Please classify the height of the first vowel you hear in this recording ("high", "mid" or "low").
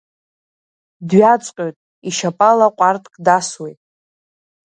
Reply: low